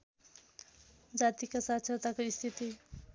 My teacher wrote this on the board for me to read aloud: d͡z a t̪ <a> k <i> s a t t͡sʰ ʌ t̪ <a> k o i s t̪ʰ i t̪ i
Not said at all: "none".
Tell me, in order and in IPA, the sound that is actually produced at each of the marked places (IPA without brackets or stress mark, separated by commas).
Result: i, a, a